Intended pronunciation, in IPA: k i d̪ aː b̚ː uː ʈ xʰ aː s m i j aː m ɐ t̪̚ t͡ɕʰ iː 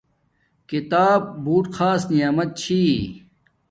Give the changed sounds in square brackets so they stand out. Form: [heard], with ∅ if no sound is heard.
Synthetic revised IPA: k i [t̪] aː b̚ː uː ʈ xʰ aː s [n] i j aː m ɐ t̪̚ t͡ɕʰ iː